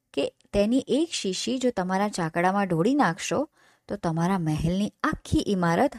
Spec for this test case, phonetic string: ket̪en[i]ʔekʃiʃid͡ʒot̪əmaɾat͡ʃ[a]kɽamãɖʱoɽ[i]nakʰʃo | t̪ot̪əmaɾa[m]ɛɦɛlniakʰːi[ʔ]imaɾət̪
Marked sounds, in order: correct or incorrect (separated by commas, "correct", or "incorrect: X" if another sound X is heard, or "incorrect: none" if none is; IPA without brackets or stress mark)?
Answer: correct, correct, correct, correct, correct